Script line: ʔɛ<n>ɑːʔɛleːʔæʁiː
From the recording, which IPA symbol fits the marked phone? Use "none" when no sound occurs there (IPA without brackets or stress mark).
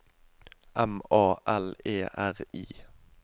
m